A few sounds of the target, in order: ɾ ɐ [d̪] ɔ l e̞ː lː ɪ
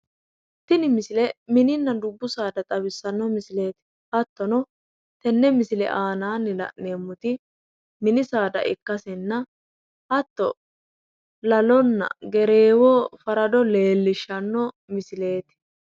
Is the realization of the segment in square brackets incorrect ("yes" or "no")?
no